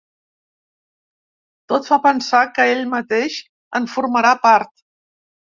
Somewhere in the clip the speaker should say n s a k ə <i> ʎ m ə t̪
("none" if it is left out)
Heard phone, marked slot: e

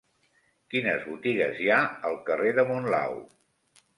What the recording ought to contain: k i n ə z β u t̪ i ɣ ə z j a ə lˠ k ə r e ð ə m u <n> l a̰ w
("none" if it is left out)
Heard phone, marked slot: n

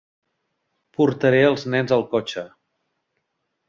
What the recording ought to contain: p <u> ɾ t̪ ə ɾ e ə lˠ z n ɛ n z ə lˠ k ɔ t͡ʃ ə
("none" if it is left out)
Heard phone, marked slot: u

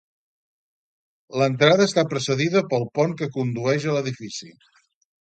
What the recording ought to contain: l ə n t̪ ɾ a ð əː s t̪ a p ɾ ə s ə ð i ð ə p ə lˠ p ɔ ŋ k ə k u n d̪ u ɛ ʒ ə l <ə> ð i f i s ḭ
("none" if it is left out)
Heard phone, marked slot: ə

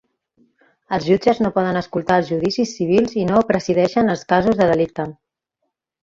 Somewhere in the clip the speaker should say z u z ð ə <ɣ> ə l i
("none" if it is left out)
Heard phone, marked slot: ð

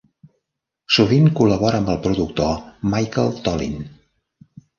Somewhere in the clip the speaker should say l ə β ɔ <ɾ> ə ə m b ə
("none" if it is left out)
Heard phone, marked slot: ɾ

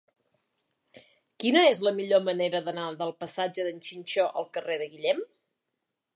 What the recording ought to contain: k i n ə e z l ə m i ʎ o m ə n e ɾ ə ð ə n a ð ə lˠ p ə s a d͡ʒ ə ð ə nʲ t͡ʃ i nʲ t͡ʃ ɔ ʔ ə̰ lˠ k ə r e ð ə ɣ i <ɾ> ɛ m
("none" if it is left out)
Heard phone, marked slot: ʎ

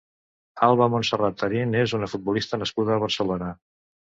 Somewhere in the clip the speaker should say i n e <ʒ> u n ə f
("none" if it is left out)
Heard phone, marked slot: z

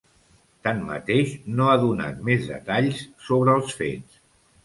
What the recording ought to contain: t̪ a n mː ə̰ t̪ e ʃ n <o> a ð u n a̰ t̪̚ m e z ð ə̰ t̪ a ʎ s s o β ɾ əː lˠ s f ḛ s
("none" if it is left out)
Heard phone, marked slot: o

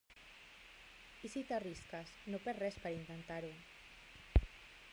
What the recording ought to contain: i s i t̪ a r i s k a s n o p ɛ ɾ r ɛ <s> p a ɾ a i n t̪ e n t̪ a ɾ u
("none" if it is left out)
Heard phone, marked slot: s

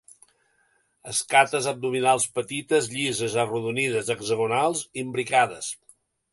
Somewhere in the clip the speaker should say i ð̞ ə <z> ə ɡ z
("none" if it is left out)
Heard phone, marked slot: z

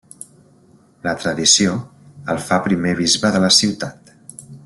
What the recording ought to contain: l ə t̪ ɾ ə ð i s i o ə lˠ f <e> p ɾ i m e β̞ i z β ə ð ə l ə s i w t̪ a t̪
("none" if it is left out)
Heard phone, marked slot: a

